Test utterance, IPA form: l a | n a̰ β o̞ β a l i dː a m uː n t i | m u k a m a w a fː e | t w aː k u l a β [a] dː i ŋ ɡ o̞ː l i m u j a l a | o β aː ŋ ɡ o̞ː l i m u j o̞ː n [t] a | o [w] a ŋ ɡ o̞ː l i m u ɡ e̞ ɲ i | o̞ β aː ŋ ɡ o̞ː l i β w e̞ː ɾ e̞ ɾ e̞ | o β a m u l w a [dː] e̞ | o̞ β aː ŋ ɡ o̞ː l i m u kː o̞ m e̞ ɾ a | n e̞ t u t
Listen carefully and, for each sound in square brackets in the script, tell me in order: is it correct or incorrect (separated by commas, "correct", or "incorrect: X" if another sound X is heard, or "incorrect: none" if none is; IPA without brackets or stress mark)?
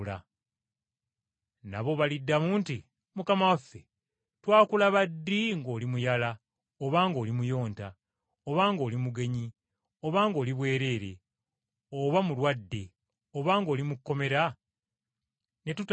correct, correct, incorrect: β, correct